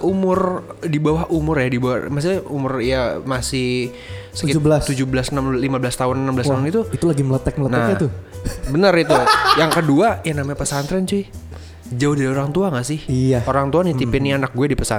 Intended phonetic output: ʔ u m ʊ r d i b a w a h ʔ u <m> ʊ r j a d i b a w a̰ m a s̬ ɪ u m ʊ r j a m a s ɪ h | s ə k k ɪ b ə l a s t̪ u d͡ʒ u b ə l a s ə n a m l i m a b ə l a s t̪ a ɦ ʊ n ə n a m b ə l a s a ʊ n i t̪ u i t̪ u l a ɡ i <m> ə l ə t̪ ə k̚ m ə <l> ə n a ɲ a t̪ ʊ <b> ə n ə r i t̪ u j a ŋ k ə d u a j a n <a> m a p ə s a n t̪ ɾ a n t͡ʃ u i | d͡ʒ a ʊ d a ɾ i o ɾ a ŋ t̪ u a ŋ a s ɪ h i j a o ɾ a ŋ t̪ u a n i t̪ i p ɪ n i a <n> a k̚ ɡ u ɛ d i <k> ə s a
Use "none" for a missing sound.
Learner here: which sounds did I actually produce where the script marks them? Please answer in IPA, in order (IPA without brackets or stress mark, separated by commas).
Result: m, m, l, b, a, n, p